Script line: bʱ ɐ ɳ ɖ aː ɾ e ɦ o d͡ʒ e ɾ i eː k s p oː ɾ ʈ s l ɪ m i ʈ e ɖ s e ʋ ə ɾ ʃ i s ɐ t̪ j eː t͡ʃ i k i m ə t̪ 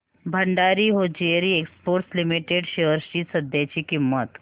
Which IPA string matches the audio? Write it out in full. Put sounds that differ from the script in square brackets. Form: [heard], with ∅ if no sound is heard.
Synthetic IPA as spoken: bʱ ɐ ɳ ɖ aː ɾ [i] ɦ o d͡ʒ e ɾ i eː k s p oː ɾ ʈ s l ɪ m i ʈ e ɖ [ʃ] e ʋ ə ɾ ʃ i s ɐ [d̪] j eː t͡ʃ i k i m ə t̪

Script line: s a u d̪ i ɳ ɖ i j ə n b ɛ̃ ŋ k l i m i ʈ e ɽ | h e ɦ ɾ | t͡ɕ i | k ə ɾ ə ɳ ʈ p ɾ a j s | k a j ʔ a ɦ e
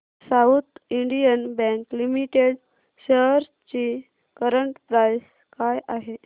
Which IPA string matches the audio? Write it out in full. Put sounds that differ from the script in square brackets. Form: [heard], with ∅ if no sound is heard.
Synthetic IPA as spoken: s a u [t̪] i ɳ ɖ i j ə n b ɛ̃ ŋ k l i m i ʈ e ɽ | [ɕ] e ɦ ɾ | t͡ɕ i | k ə ɾ ə ɳ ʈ p ɾ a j s | k a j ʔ a ɦ e

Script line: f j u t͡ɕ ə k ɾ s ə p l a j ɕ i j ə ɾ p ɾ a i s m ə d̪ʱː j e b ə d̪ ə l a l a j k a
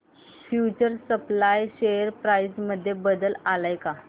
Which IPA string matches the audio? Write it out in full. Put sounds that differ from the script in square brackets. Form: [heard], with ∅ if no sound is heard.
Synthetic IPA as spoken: f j u t͡ɕ ə [∅] ɾ s ə p l a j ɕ [e] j ə ɾ p ɾ a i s m ə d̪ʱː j e b ə d̪ ə l a l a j k a

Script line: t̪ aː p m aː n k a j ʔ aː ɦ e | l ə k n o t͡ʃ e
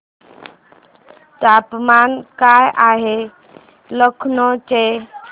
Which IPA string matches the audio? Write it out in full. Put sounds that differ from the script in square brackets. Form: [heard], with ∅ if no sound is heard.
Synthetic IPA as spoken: t̪ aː p m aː n k a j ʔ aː ɦ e | l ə [kʰ] n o t͡ʃ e

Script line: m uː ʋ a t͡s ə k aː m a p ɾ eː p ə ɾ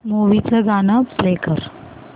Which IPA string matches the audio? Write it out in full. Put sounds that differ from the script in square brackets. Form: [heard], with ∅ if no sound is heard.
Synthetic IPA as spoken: m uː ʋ [i] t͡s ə [ɡ] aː [n] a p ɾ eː [k] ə ɾ

